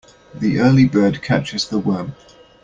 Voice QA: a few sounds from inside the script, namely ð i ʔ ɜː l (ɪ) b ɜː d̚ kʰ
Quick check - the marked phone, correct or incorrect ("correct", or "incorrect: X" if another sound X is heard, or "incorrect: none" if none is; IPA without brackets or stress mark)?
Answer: incorrect: i